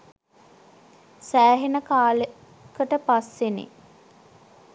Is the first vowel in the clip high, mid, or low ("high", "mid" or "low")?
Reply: low